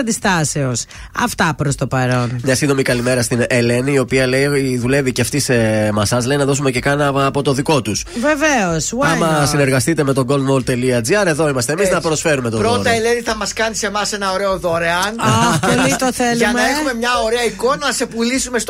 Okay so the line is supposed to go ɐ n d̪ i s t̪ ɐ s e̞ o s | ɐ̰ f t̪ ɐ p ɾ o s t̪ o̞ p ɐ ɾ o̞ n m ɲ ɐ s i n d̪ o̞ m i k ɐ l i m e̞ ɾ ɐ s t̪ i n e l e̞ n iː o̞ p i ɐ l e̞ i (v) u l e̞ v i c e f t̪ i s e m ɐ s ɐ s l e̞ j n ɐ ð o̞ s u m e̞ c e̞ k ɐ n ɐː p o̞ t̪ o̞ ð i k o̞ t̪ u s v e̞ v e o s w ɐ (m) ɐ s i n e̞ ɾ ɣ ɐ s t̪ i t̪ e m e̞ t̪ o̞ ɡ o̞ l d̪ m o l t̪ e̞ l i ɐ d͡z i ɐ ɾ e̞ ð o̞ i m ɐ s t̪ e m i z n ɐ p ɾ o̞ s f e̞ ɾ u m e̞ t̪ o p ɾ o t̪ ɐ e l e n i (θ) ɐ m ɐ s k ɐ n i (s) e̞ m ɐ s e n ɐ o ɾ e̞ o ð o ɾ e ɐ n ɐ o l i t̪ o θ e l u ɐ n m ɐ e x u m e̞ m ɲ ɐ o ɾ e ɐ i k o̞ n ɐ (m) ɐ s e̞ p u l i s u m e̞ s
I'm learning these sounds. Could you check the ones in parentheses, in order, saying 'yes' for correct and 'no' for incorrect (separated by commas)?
no, yes, yes, yes, no